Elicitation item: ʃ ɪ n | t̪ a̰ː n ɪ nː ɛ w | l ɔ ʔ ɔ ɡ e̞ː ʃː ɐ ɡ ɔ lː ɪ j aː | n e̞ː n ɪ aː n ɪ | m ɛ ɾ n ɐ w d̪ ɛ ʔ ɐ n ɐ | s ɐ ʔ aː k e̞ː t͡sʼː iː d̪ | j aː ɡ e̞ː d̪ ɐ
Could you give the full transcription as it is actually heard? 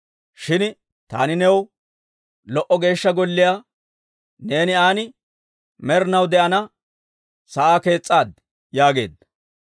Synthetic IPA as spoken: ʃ ɪ n | t̪ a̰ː n ɪ n ɛ w | l ɔ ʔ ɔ ɡ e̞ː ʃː ɐ ɡ ɔ lː ɪ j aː | n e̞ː n ɪ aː n ɪ | m ɛ ɾ n ɐ w d̪ ɛ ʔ ɐ n ɐ | s ɐ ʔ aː k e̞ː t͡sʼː aː d̪ | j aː ɡ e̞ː d̪ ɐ